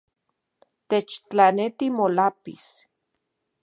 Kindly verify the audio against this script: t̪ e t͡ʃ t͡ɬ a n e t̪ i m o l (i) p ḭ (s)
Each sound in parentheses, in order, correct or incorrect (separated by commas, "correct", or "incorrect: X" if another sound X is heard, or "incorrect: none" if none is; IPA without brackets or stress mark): incorrect: a, correct